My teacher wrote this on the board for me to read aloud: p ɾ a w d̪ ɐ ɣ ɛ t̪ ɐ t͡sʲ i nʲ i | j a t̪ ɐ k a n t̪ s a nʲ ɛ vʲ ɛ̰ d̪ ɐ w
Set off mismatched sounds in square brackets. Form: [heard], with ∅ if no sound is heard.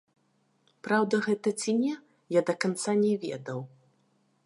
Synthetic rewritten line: p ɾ a w d̪ ɐ ɣ ɛ t̪ ɐ t͡sʲ i nʲ [ɛ] | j a [d̪] ɐ k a n t̪ s a nʲ ɛ vʲ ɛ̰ d̪ ɐ w